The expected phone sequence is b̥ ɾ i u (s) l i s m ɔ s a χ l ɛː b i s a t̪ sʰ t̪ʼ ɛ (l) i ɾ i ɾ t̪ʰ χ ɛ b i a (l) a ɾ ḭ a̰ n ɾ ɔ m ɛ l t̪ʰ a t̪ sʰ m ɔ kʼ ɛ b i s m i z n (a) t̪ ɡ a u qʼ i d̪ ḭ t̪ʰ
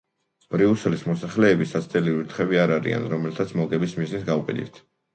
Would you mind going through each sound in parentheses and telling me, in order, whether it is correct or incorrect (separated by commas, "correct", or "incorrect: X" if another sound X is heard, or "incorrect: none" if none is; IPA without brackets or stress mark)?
correct, correct, incorrect: ɾ, incorrect: i